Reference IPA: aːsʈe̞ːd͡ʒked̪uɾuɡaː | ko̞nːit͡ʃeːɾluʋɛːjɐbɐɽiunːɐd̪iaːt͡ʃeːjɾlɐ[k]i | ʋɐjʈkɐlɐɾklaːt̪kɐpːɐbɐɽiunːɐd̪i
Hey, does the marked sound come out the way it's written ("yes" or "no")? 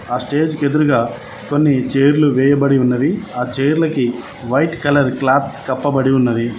yes